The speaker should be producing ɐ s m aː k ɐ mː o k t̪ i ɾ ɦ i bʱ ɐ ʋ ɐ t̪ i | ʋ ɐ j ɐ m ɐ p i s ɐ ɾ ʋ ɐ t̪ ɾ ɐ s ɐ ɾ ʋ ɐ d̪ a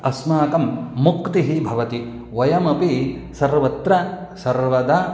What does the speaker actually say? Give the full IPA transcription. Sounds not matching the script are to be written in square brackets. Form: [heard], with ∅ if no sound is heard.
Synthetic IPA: ɐ s m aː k ɐ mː [u] k t̪ i [∅] ɦ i bʱ ɐ ʋ ɐ t̪ i | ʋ ɐ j ɐ m ɐ p i s ɐ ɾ ʋ ɐ t̪ ɾ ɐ s ɐ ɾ ʋ ɐ d̪ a